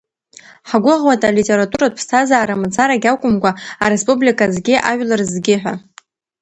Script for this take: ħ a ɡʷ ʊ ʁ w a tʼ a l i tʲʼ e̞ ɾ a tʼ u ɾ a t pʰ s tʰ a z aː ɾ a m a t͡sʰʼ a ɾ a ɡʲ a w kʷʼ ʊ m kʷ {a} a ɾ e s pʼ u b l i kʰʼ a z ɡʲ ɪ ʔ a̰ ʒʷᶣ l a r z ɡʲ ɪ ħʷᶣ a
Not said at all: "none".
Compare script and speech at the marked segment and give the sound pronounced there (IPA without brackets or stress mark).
a